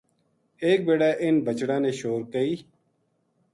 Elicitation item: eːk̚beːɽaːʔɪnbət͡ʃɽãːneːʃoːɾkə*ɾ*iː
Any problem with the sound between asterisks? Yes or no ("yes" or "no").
yes